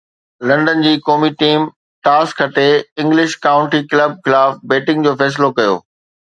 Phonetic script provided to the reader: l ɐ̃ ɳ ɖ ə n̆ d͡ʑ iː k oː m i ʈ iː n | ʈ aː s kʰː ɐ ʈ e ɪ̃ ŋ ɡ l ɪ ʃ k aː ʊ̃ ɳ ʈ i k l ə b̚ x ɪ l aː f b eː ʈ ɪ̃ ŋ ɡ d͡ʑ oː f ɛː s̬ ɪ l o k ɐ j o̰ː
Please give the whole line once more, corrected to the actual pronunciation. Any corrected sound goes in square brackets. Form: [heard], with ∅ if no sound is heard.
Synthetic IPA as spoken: l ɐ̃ ɳ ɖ ə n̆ d͡ʑ iː k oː m i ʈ iː [m] | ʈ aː s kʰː ɐ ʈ e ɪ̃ ŋ ɡ l ɪ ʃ k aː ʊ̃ ɳ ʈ i k l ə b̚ x ɪ l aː f b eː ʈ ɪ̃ ŋ ɡ d͡ʑ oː f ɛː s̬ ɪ l o k ɐ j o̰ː